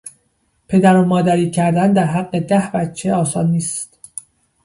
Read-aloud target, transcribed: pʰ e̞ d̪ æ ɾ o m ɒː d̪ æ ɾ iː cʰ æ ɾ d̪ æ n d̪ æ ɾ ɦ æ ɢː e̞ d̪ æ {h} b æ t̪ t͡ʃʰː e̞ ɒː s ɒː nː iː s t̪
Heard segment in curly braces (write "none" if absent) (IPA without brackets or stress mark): h